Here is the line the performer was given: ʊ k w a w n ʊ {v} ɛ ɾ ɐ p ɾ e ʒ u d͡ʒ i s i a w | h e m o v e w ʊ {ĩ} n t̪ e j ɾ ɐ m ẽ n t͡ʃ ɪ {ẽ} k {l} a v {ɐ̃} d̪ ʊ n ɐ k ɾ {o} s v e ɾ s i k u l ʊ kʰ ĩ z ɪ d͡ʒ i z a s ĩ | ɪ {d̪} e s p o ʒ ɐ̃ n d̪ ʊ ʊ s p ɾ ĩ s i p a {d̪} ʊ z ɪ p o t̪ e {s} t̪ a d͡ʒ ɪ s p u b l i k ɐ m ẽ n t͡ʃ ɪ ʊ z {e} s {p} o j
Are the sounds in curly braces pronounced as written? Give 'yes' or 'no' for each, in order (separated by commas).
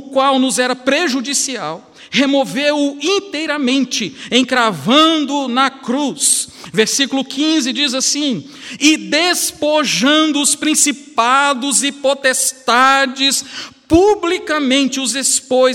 no, yes, yes, no, yes, no, yes, yes, yes, yes, yes